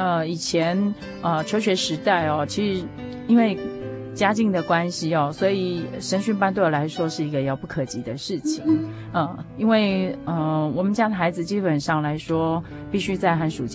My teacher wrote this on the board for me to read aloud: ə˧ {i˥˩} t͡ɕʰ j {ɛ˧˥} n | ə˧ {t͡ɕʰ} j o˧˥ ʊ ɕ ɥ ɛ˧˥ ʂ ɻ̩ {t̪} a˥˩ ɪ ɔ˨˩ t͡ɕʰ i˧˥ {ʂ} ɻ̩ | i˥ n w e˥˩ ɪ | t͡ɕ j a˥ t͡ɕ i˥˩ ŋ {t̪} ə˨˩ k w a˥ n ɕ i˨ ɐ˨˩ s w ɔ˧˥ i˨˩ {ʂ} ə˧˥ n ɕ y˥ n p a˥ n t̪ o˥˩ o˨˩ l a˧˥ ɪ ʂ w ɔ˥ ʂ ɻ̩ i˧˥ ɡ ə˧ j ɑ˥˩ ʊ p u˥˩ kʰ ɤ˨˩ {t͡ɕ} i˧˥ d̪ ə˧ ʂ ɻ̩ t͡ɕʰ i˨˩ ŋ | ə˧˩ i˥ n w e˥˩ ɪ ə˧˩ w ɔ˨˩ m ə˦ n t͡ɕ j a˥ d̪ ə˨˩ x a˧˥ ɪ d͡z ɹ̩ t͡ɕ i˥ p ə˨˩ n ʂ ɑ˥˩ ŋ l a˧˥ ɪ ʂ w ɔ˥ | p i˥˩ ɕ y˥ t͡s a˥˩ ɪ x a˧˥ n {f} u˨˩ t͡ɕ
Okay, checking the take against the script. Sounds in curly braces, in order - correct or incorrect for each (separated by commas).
incorrect, correct, correct, correct, correct, incorrect, correct, correct, incorrect